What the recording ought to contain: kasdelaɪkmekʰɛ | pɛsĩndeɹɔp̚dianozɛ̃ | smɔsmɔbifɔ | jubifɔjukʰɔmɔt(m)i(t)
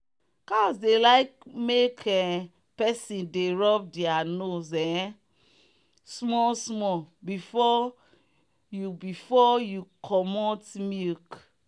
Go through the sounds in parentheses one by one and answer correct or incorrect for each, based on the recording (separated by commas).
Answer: correct, incorrect